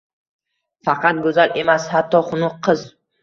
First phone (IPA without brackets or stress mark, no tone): f